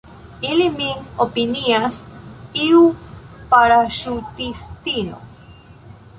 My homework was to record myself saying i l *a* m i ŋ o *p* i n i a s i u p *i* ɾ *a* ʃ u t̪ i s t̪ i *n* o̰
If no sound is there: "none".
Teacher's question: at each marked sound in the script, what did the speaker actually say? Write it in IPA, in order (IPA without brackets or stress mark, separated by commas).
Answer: i, p, a, a, n